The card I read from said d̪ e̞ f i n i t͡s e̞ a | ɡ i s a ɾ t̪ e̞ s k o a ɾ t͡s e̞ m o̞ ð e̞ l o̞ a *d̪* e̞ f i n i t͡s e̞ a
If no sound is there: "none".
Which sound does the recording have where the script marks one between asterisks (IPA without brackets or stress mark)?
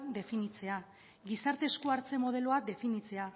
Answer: d̪